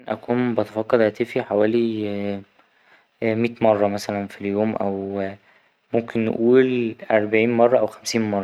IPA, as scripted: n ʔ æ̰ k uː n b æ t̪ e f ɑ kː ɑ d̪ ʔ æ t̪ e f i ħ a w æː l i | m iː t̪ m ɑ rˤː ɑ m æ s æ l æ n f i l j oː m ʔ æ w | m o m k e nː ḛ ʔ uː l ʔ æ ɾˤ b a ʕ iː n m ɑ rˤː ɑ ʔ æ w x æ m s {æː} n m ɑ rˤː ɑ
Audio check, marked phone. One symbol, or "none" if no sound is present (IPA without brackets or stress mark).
iː